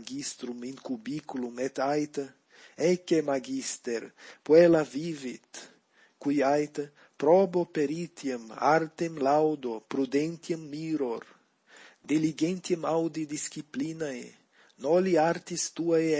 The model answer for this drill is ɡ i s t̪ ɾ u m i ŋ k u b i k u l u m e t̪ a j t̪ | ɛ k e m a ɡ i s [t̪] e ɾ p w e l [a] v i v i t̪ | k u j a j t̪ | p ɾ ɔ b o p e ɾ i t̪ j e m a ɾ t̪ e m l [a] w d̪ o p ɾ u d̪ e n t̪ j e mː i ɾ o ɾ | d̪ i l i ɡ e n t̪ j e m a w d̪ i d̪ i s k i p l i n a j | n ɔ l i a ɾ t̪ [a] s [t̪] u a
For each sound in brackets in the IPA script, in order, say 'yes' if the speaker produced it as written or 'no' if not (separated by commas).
yes, yes, yes, no, yes